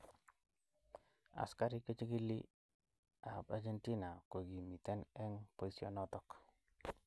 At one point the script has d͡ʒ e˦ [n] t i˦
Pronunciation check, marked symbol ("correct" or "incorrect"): correct